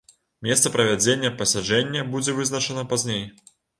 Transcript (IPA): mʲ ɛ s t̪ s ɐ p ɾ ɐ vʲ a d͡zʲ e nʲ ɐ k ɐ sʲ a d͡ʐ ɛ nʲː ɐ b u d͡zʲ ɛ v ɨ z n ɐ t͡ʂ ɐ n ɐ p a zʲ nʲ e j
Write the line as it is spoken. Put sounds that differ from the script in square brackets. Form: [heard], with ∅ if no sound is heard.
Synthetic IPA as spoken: mʲ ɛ s t̪ s ɐ p ɾ ɐ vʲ a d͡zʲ e [nʲː] ɐ [p] ɐ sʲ a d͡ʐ ɛ nʲː ɐ b u d͡zʲ ɛ v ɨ z n ɐ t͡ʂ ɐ n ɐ p a zʲ nʲ e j

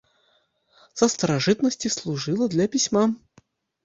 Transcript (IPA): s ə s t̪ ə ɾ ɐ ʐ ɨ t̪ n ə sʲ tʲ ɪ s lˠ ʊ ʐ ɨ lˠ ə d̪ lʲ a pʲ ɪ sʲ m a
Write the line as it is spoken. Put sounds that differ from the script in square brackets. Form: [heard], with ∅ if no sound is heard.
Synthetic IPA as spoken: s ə s t̪ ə ɾ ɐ ʐ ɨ t̪ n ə sʲ tʲ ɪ s lˠ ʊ ʐ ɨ lˠ ə d̪ lʲ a pʲ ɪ sʲ m a

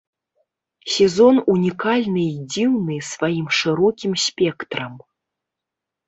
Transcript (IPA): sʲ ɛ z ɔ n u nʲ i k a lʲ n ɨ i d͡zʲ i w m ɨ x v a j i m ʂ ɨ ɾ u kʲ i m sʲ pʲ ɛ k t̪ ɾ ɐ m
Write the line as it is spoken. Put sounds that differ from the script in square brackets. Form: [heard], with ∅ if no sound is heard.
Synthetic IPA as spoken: sʲ ɛ z ɔ n u nʲ i k a lʲ n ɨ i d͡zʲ i w [n] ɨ [s] v a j i m ʂ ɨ ɾ [ɔ] kʲ i m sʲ pʲ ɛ k t̪ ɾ ɐ m

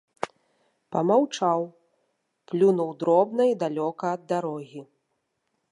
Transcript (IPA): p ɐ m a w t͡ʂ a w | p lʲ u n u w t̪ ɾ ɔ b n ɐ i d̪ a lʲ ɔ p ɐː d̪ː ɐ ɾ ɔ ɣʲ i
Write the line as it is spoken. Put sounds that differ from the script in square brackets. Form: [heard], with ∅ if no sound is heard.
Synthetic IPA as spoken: p ɐ m a w t͡ʂ a w | p lʲ u n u w [d̪] ɾ ɔ b n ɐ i d̪ a lʲ ɔ [k] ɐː d̪ː [a] ɾ ɔ ɣʲ i

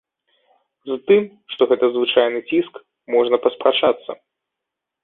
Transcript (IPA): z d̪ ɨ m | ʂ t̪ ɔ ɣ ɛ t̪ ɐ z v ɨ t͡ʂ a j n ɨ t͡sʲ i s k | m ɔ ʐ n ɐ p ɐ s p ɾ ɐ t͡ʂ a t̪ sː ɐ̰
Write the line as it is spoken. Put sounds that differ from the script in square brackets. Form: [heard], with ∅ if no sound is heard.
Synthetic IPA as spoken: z [t̪] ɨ m | ʂ t̪ ɔ ɣ ɛ t̪ ɐ z v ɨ t͡ʂ a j n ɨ t͡sʲ i s k | m ɔ ʐ n ɐ p ɐ s p ɾ [a] t͡ʂ a t̪ sː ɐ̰

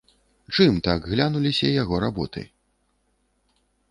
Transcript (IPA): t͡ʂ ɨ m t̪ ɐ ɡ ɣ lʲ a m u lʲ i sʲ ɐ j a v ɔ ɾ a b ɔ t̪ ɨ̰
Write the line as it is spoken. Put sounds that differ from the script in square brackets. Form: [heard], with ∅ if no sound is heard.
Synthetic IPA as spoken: t͡ʂ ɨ m t̪ [a] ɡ ɣ lʲ a [n] u lʲ i sʲ ɐ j a [ɣ] ɔ ɾ a b ɔ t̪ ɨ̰

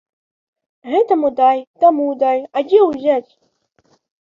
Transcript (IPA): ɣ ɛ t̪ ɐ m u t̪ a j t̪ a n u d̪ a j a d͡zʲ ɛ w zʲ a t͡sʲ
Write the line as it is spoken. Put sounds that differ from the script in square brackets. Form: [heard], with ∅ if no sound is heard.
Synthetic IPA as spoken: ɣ ɛ t̪ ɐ m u [d̪] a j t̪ a [m] u d̪ a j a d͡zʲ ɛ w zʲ a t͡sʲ

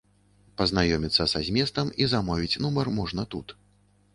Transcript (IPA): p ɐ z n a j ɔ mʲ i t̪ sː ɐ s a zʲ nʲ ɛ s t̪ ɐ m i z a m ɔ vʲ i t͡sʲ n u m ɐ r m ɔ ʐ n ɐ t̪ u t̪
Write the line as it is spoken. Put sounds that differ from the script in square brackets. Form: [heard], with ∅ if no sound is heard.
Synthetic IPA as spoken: p ɐ z n a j ɔ mʲ i t̪ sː ɐ s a zʲ [mʲ] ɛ s t̪ ɐ m i z a m ɔ vʲ i t͡sʲ n u m ɐ r m ɔ ʐ n ɐ t̪ u t̪

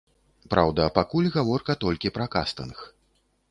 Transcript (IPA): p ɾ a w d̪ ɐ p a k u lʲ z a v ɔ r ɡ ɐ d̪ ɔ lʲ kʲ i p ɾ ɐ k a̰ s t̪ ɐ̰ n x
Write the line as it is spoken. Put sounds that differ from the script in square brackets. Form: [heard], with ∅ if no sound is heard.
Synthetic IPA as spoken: p ɾ a w d̪ ɐ p a k u lʲ [ɣ] a v ɔ r [k] ɐ [t̪] ɔ lʲ kʲ i p ɾ ɐ k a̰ s t̪ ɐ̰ n x

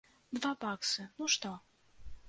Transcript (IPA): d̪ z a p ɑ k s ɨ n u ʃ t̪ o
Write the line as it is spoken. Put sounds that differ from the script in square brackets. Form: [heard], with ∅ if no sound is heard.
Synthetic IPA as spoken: d̪ [v] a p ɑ k s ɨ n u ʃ t̪ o

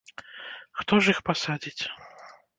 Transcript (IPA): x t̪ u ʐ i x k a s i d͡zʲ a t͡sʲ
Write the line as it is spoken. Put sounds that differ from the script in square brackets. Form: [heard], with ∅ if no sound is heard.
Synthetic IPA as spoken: x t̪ [ɔ] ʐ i x [p] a s [a] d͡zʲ [i] t͡sʲ

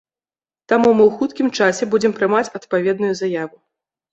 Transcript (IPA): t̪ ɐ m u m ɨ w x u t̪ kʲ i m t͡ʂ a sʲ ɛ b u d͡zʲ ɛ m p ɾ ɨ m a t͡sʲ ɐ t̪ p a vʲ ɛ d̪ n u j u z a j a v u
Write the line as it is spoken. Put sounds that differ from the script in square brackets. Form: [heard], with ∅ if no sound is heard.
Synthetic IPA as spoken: t̪ [a] m u m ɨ w x u t̪ kʲ i m t͡ʂ a sʲ ɛ b u d͡zʲ ɛ m p ɾ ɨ m a t͡sʲ ɐ t̪ p a vʲ ɛ d̪ n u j u z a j a v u

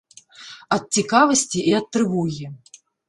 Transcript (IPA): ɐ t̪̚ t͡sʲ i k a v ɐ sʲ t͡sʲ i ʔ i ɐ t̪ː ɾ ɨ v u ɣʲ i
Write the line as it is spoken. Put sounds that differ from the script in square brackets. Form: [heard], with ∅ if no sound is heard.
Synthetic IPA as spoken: ɐ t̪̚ t͡sʲ i k a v ɐ sʲ t͡sʲ i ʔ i ɐ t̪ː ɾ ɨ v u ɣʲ i

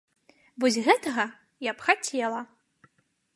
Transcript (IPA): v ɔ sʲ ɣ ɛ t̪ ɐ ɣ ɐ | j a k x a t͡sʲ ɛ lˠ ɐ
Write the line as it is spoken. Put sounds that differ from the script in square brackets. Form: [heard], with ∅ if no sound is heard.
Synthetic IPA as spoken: v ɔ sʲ ɣ ɛ t̪ ɐ ɣ ɐ | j a [p] x a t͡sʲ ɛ lˠ ɐ

